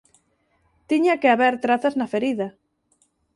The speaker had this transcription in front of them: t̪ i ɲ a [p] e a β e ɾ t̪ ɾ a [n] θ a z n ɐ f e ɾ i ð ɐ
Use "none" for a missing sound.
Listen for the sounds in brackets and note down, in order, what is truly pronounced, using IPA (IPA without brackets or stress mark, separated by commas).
k, none